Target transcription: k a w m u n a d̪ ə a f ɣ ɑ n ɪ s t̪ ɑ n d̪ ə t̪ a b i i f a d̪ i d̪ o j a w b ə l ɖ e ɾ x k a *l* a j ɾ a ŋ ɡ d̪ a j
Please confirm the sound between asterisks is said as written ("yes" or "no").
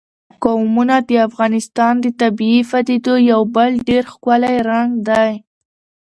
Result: yes